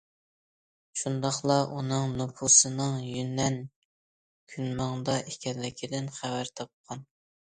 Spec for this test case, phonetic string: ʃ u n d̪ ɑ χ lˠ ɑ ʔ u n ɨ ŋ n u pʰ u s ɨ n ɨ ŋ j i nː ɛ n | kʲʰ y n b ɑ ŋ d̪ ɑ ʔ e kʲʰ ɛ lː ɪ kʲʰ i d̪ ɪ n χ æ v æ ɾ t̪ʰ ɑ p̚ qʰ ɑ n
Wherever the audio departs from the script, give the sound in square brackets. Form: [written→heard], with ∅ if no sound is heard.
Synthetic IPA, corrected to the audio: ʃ u n d̪ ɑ χ lˠ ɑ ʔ u n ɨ ŋ n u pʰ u s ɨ n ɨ ŋ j [i→y] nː ɛ n | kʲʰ y n [b→m] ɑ ŋ d̪ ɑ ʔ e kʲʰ ɛ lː ɪ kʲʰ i d̪ ɪ n χ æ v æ ɾ t̪ʰ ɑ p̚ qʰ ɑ n